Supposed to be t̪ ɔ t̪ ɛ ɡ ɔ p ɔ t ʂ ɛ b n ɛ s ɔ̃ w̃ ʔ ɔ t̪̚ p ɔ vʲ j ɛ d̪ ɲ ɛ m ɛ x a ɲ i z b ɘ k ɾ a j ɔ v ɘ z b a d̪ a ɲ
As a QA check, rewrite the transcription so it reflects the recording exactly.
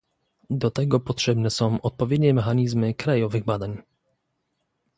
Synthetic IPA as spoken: d̪ ɔ t̪ ɛ ɡ ɔ p ɔ t ʂ ɛ b n ɛ s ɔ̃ w̃ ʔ ɔ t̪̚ p ɔ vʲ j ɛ d̪ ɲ ɛ m ɛ x a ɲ i z m ɘ k ɾ a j ɔ v ɘ ɣ b a d̪ a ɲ